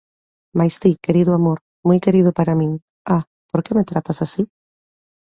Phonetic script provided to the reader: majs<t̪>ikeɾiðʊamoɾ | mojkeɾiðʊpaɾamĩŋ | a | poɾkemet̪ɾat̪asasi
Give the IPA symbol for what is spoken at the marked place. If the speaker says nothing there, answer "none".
t̪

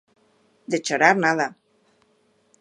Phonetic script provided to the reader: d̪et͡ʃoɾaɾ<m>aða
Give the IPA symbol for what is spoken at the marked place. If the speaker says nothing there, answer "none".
n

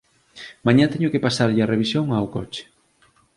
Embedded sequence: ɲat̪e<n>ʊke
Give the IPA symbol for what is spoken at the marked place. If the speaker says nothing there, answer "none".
ɲ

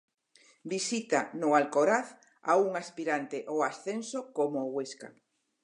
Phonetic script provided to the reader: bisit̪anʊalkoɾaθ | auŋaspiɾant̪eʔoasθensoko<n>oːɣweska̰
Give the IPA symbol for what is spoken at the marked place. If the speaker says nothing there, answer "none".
m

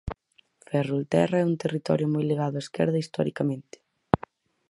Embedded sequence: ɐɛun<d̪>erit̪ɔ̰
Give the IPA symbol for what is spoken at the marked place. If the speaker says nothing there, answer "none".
t̪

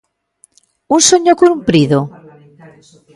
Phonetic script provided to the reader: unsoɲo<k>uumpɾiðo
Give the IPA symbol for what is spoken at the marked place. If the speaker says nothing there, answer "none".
k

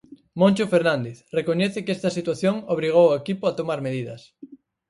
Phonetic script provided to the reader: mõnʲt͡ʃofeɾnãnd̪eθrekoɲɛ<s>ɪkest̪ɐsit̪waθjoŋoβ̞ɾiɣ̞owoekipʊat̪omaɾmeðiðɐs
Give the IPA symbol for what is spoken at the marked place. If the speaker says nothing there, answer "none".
θ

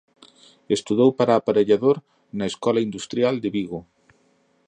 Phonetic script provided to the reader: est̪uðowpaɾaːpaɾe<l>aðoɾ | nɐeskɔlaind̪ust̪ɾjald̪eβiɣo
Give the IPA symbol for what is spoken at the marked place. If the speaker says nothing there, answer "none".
ʎ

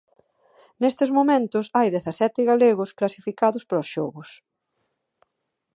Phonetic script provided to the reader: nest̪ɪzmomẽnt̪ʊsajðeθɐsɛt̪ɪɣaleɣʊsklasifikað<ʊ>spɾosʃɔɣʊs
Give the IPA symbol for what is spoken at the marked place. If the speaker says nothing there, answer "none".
ʊ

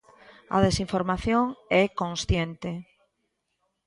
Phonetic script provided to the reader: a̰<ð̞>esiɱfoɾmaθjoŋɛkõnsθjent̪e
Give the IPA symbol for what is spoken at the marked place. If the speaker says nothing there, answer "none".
ð̞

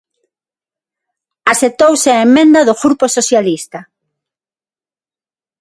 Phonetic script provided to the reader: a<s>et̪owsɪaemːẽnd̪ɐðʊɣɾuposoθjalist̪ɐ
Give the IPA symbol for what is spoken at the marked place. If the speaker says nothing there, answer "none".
s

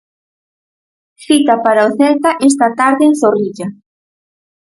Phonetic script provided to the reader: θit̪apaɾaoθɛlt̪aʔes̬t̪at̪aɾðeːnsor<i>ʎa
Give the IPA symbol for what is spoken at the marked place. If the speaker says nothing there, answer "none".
i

